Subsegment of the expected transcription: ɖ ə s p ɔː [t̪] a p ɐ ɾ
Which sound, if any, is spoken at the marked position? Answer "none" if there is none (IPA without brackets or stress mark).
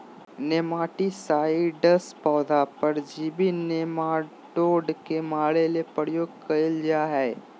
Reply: d̪